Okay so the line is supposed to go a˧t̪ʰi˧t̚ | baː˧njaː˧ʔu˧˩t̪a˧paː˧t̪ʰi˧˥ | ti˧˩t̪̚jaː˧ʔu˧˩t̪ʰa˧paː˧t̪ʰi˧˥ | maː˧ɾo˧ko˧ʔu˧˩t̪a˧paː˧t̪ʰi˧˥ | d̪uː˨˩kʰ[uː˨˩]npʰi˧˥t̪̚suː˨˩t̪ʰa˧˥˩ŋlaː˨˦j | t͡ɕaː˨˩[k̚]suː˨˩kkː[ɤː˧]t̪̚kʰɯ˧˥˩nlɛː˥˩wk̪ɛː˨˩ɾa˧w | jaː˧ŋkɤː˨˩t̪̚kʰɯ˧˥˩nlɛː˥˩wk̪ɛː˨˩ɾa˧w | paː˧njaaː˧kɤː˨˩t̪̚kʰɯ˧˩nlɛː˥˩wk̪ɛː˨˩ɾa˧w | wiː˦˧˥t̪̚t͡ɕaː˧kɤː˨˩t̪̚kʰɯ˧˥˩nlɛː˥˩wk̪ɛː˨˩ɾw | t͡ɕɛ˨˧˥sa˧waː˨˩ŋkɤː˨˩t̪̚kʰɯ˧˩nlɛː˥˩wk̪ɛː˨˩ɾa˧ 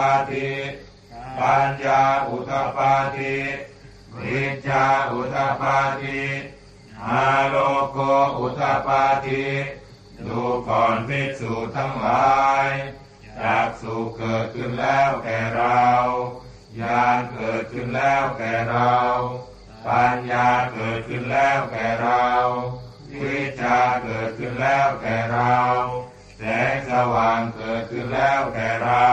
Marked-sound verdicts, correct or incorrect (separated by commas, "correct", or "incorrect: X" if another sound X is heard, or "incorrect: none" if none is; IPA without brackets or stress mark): incorrect: ɔː˨˩, correct, incorrect: ɤː˨˩